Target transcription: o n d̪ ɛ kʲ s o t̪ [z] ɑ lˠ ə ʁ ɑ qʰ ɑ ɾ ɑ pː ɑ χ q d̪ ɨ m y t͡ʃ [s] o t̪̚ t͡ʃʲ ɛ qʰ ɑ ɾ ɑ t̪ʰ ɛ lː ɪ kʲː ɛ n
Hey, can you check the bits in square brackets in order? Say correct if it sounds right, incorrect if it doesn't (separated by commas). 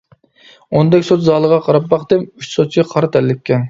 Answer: correct, correct